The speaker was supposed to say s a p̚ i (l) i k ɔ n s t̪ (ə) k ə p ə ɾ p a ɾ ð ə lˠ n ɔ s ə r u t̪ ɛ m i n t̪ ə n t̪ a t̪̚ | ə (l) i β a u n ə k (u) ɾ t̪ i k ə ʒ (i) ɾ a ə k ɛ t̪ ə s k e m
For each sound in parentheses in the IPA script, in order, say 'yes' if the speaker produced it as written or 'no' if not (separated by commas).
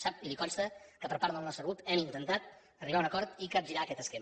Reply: yes, yes, no, no, yes